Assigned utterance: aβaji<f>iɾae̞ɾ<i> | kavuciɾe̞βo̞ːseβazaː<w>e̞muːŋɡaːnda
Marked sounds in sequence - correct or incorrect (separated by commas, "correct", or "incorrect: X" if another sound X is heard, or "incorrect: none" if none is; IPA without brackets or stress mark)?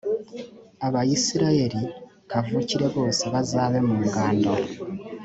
incorrect: s, correct, incorrect: β